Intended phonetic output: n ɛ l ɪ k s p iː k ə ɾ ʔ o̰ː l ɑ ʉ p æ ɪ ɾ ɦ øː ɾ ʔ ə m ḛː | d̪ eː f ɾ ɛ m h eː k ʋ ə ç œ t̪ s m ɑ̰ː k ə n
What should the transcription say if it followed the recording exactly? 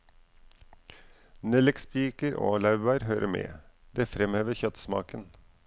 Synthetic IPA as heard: n ɛ l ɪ k s p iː k ə ɾ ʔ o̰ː l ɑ ʉ b æ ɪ ɾ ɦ øː ɾ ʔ ə m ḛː | d̪ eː f ɾ ɛ m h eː ʋ ə ç œ t̪ s m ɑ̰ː k ə n